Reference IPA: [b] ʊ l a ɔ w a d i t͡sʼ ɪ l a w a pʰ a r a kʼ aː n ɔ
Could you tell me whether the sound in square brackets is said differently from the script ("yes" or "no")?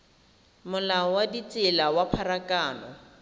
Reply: yes